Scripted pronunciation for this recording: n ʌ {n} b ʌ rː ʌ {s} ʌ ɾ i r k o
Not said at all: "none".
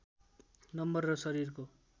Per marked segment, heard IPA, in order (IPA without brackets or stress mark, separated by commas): m, s